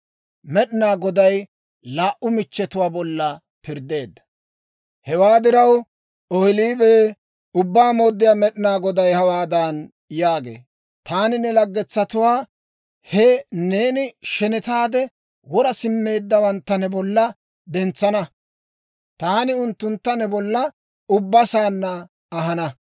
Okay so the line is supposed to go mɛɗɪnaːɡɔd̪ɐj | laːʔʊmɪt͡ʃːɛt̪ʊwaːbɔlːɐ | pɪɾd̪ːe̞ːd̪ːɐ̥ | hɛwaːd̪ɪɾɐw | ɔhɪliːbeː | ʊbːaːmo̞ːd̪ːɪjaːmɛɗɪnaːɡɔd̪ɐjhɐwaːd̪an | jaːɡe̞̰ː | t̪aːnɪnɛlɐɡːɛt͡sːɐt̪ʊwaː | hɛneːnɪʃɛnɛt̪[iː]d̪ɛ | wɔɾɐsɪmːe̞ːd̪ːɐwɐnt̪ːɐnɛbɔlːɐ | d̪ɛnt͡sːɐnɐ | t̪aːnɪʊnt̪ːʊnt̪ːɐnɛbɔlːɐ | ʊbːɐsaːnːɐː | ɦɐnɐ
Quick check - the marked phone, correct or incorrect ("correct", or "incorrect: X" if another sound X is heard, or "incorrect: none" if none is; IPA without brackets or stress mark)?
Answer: incorrect: aː